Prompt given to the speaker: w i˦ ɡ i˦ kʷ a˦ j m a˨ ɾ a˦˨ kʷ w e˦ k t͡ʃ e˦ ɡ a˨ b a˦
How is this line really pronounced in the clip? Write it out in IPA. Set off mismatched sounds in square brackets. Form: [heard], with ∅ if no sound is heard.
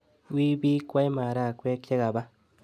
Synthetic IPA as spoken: w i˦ [b] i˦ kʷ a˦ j m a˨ ɾ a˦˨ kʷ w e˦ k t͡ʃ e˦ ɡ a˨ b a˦